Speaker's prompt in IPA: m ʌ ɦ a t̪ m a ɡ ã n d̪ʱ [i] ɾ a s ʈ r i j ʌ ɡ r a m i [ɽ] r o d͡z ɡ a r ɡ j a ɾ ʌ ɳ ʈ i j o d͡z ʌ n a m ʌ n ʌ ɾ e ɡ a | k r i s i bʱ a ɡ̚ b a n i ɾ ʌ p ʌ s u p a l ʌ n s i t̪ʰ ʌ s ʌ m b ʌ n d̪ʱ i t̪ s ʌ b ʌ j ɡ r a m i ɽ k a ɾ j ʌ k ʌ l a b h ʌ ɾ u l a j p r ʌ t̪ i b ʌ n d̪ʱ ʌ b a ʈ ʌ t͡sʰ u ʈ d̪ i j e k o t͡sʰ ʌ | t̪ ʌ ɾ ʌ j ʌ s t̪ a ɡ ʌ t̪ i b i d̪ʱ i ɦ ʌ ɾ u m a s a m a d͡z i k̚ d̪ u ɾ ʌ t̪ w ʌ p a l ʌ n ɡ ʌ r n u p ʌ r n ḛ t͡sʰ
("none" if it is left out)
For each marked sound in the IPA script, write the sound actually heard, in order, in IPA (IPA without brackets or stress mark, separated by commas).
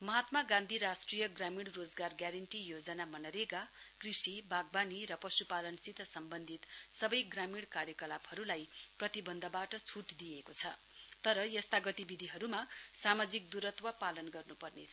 i, ɽ